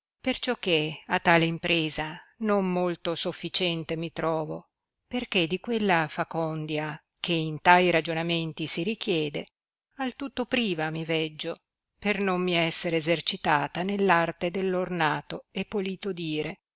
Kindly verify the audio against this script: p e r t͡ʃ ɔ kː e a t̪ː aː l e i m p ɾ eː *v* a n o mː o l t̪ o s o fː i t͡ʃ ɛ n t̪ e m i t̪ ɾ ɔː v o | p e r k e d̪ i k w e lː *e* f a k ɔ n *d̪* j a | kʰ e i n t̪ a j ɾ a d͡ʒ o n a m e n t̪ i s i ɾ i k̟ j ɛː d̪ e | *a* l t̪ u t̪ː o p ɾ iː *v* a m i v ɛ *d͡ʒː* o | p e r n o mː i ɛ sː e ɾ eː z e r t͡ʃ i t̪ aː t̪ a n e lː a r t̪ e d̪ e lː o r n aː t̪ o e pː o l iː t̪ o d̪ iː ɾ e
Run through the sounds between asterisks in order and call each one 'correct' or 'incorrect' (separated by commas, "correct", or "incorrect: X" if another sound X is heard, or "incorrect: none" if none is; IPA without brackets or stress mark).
incorrect: z, incorrect: a, correct, correct, correct, correct